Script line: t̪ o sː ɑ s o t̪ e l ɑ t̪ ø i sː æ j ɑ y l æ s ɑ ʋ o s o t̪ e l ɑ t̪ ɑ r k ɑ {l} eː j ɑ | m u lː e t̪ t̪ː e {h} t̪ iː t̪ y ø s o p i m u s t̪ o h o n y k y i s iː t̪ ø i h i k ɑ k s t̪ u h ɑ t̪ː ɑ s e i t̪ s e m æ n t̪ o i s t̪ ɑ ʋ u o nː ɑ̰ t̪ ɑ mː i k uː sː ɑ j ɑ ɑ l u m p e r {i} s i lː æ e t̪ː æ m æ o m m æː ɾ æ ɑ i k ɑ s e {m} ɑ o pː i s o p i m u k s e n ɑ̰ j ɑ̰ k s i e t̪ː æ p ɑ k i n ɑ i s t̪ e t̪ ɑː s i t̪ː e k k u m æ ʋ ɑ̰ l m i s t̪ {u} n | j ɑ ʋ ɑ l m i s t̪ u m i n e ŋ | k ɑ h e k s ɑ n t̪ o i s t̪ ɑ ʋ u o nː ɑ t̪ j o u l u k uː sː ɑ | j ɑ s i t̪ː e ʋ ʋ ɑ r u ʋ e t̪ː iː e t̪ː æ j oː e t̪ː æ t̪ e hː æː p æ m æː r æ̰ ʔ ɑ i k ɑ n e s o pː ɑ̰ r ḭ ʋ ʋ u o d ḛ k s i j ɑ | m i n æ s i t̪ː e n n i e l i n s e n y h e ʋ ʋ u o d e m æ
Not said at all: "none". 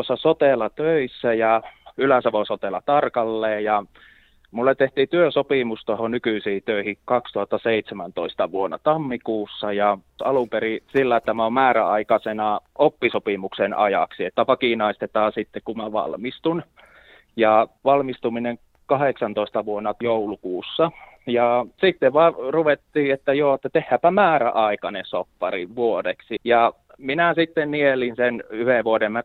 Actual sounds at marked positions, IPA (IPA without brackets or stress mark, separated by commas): lː, h, i, n, u